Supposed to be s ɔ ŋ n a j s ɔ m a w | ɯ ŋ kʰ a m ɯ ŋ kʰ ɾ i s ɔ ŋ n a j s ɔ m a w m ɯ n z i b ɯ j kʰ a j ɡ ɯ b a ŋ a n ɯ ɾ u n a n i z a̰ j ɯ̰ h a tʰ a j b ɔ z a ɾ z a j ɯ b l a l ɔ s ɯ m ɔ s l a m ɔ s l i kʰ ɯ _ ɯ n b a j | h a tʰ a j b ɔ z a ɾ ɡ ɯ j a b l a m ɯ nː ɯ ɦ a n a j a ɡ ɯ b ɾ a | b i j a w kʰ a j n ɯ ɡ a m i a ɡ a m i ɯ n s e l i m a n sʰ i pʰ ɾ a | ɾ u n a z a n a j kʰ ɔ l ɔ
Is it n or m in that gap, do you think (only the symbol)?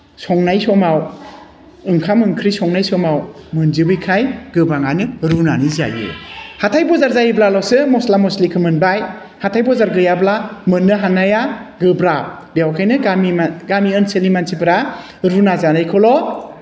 m